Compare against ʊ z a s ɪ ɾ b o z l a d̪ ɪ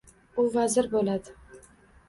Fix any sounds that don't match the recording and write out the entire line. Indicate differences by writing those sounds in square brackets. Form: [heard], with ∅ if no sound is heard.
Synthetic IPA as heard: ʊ [v] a [z] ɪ ɾ b o [∅] l a d̪ ɪ